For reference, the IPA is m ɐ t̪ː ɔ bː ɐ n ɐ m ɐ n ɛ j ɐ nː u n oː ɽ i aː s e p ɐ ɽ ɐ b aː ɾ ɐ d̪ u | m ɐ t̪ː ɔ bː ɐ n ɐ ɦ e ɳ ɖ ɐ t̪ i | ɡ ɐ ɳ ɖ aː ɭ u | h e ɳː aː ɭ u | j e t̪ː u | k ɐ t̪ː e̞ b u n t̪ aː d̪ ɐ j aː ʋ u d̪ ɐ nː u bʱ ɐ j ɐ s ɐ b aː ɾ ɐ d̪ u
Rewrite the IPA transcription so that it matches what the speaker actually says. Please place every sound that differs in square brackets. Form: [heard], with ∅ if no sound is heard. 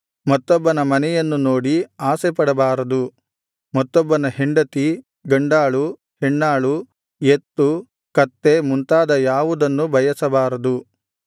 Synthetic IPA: m ɐ t̪ː ɔ bː ɐ n ɐ m ɐ n ɛ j ɐ nː u n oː ɽ i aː s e p ɐ ɽ ɐ b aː ɾ ɐ d̪ u | m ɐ t̪ː ɔ bː ɐ n ɐ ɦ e ɳ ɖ ɐ t̪ i | ɡ ɐ ɳ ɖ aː ɭ u | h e ɳː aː ɭ u | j e t̪ː u | k ɐ t̪ː e̞ [m] u n t̪ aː d̪ ɐ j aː ʋ u d̪ ɐ nː u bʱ ɐ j ɐ s ɐ b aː ɾ ɐ d̪ u